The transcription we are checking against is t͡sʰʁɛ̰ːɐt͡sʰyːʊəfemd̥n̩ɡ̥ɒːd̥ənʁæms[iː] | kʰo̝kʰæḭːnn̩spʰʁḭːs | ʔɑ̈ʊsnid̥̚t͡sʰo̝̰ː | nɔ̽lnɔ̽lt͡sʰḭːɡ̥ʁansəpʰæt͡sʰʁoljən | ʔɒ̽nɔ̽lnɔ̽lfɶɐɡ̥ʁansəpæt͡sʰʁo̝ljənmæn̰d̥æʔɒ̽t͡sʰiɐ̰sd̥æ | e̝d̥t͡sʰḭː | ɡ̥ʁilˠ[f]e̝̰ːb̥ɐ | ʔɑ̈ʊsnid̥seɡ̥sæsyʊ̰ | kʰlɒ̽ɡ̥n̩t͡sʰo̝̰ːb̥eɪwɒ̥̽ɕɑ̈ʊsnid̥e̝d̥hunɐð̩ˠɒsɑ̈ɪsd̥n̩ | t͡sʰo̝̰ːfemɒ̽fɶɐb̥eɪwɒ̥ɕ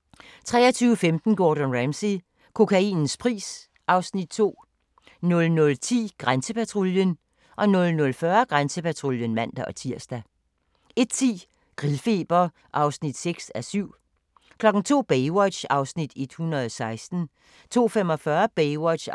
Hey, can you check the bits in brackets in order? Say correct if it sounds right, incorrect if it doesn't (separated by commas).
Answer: incorrect, correct